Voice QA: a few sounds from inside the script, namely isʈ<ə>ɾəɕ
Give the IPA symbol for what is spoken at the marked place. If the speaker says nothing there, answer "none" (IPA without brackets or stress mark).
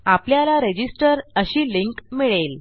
ə